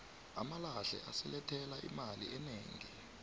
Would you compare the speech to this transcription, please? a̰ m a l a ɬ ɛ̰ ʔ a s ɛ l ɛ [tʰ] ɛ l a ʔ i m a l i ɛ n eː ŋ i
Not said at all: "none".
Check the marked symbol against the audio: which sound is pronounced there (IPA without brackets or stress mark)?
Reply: tʰ